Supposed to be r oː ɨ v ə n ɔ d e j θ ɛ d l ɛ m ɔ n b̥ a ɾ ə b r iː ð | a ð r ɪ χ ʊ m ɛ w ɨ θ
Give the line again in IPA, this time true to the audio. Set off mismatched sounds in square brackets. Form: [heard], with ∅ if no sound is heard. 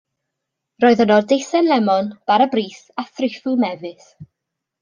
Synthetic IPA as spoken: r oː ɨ [ð] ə n ɔ d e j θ ɛ [n] l ɛ m ɔ n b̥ a ɾ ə b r iː [θ] | a [θ] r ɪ [f] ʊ m ɛ [v] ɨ θ